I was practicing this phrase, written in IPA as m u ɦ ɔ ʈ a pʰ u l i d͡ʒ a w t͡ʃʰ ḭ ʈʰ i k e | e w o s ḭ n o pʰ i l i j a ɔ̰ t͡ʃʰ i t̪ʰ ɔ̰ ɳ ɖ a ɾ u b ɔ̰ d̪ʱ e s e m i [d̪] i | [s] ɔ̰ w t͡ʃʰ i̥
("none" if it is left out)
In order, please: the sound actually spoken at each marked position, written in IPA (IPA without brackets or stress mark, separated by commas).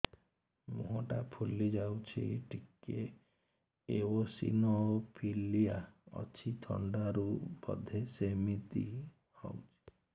t̪, h